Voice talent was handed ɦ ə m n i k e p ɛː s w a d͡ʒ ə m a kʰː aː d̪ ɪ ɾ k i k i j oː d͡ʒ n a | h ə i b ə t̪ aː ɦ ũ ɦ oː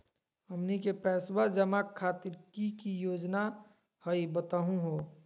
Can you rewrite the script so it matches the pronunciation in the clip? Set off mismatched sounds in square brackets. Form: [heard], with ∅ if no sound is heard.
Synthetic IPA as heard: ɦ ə m n i k e p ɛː s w a d͡ʒ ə m a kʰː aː [t̪] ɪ ɾ k i k i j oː d͡ʒ n a | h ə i b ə t̪ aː ɦ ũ ɦ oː

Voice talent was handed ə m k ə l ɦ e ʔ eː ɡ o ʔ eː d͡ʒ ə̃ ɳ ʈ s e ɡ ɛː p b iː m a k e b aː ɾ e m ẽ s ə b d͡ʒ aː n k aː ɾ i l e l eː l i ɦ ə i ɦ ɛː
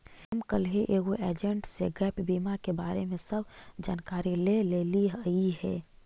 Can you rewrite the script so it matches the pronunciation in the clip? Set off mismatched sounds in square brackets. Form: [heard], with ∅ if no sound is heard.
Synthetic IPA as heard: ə m k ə l ɦ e ʔ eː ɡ o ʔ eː d͡ʒ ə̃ ɳ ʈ s e ɡ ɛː p b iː m a k e b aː ɾ e m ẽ s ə b d͡ʒ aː n k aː ɾ i l e l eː l i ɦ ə i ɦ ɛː

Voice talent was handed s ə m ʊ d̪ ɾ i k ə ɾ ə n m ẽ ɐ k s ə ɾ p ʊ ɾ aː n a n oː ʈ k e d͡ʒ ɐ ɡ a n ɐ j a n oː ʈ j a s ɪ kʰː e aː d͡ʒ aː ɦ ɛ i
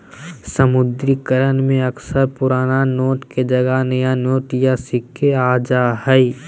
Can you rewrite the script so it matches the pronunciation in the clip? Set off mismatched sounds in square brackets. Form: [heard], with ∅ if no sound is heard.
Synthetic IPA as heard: s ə m ʊ d̪ ɾ i k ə ɾ ə n m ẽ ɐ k s ə ɾ p ʊ ɾ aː n a n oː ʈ k e d͡ʒ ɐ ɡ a n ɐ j a n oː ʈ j a s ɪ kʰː e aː d͡ʒ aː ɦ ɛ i

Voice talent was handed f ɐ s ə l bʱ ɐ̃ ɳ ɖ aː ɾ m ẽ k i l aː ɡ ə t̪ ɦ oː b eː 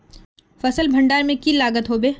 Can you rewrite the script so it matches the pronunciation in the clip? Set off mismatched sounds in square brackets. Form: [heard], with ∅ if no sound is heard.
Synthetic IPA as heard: f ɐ s ə l bʱ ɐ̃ ɳ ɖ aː ɾ m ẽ k i l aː ɡ ə t̪ ɦ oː b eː

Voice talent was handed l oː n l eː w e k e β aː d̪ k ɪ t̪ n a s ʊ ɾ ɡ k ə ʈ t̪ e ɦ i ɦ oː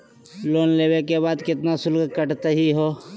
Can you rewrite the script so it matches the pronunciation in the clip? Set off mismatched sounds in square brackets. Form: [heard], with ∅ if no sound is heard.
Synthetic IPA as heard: l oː n l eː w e k e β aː d̪ k ɪ t̪ n a s ʊ [l] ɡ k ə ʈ t̪ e ɦ i ɦ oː

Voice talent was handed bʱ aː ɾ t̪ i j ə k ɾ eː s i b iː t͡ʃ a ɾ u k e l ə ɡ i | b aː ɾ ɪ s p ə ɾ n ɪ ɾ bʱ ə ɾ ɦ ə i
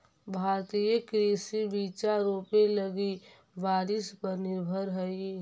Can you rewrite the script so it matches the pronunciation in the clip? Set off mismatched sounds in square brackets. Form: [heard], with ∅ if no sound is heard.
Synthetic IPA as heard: bʱ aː ɾ t̪ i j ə k ɾ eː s i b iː t͡ʃ a ɾ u [p] e l ə ɡ i | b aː ɾ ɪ s p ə ɾ n ɪ ɾ bʱ ə ɾ ɦ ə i

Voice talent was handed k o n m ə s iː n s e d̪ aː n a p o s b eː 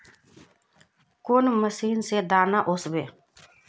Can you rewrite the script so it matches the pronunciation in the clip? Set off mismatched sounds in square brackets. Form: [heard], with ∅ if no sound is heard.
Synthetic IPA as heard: k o n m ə s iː n s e d̪ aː n a [ʔ] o s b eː

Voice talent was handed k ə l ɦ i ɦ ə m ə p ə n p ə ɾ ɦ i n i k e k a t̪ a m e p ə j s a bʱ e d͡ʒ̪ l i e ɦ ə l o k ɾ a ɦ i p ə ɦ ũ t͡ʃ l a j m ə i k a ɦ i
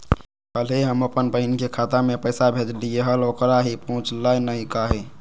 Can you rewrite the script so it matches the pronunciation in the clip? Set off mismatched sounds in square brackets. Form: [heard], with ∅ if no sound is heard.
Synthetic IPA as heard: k ə l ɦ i ɦ ə m ə p ə n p ə [∅] ɦ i n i k e [kʰ] a t̪ a m e p ə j s a bʱ e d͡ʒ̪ l i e ɦ ə l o k ɾ a ɦ i p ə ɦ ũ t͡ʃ l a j [n] ə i k a ɦ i

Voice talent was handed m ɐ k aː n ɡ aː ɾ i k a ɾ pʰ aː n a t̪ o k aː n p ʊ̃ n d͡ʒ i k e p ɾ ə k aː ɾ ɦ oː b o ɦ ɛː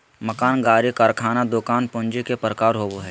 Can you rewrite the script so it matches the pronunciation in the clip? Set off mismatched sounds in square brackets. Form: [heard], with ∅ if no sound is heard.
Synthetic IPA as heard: m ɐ k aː n ɡ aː ɾ i k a ɾ [kʰ] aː n a [d̪] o k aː n p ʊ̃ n d͡ʒ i k e p ɾ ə k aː ɾ ɦ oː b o ɦ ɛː

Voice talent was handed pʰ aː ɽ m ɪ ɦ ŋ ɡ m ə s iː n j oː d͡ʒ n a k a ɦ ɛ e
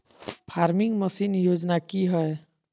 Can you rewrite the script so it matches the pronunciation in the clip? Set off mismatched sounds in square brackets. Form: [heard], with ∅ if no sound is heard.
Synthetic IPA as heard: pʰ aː [ɾ] m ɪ [∅] ŋ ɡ m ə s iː n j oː d͡ʒ n a k [i] ɦ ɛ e

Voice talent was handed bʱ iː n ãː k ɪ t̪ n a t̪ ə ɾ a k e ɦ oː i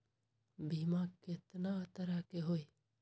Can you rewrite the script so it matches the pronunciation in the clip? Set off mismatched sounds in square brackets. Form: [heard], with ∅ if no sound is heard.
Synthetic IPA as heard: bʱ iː [m] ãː k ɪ t̪ n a t̪ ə ɾ a k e ɦ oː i

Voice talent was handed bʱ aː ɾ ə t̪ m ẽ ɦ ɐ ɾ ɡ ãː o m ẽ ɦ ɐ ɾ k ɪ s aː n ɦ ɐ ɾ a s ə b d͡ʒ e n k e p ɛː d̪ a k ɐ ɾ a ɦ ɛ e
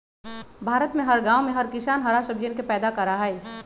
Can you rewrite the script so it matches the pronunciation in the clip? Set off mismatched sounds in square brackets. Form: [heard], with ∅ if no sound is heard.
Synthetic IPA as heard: bʱ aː ɾ ə t̪ m ẽ ɦ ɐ ɾ ɡ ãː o m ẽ ɦ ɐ ɾ k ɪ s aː n ɦ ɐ ɾ a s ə b d͡ʒ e n k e p ɛː d̪ a k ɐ ɾ a ɦ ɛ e

